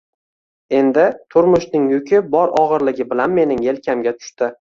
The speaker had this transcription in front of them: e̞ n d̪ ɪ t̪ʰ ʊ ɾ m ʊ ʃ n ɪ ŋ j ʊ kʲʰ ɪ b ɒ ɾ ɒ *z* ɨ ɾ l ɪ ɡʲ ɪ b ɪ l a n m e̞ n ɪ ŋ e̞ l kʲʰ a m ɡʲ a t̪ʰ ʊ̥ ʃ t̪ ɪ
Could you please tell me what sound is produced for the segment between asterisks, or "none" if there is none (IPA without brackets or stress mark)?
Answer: ʁ